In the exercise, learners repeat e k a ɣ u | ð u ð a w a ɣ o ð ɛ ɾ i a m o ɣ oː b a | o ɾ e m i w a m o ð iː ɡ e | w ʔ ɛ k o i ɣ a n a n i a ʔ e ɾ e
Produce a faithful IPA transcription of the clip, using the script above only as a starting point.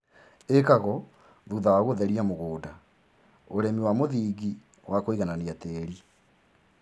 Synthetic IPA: e k a ɣ ɔ | ð u ð a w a ɣ o ð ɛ ɾ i a m o ɣ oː d a | o ɾ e m i w a m o ð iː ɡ i | w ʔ a k o i ɣ a n a n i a t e ɾ i